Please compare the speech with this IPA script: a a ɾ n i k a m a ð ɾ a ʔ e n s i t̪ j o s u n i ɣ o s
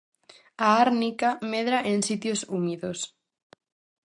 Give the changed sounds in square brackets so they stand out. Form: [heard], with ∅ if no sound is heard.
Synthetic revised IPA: a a ɾ n i k a m [e] ð ɾ a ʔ e n s i t̪ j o s u [m] i [ð] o s